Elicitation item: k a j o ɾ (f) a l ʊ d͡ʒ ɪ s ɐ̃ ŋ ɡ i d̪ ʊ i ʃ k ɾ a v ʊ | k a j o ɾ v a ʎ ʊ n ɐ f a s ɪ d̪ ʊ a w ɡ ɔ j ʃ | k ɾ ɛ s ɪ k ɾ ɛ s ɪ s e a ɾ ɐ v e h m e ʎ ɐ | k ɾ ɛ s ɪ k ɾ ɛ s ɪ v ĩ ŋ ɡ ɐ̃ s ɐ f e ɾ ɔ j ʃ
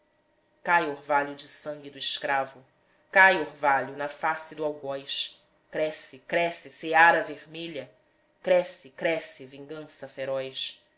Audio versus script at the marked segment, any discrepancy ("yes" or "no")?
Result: yes